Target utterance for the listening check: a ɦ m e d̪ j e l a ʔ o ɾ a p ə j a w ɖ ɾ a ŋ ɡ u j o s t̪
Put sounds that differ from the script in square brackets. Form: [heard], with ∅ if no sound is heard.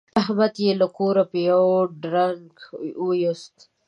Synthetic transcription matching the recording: a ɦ m [a] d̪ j e l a [k] o ɾ a p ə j a w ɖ ɾ a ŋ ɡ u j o s t̪